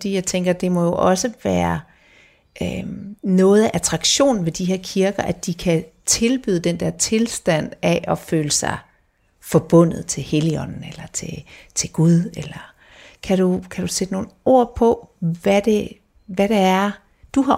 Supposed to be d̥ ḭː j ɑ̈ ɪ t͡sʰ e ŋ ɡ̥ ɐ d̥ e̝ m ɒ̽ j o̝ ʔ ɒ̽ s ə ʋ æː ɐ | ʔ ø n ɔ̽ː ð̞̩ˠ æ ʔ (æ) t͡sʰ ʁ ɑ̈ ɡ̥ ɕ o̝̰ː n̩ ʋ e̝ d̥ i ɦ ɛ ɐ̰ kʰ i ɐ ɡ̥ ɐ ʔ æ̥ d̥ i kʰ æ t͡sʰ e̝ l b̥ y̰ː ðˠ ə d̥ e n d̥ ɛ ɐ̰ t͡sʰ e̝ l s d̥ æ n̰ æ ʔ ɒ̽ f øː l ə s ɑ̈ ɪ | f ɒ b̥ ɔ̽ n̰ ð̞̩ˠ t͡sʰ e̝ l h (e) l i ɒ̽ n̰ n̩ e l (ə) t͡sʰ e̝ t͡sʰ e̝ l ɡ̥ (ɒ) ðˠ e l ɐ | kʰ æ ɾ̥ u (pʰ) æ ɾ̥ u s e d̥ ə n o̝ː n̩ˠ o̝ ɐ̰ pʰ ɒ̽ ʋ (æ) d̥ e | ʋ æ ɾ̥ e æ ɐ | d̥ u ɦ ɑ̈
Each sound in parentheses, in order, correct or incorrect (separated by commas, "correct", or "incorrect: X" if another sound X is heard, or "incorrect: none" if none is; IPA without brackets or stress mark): correct, correct, incorrect: ɐ, incorrect: u, incorrect: kʰ, correct